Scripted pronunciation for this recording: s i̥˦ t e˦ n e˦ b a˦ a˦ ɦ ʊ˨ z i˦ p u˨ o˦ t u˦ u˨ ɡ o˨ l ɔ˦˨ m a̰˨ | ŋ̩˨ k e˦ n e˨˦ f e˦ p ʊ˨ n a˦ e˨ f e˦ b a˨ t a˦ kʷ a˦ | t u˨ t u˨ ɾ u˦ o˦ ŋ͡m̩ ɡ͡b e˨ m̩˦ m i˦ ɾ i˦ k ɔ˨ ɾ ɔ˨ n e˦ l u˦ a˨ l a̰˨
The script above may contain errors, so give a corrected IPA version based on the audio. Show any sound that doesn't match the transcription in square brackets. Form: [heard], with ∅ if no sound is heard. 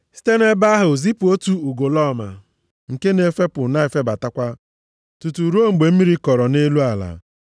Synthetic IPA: s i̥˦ t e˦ n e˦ b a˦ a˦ ɦ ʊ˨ z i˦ p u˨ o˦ t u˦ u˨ ɡ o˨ l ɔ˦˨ m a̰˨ | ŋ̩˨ k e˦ n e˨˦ f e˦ p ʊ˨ n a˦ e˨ f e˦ b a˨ t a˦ kʷ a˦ | t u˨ t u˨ ɾ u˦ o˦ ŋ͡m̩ ɡ͡b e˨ m̩˦ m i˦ ɾ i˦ k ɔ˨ ɾ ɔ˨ n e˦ l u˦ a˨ l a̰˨